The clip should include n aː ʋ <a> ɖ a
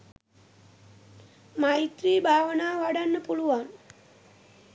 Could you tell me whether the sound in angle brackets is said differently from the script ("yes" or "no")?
no